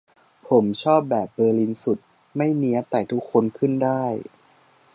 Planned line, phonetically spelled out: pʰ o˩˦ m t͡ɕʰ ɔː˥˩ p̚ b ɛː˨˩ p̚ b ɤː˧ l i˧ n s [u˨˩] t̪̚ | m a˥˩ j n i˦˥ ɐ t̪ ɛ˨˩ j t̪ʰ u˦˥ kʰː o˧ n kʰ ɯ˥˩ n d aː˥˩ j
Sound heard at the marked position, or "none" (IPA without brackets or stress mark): u˨˩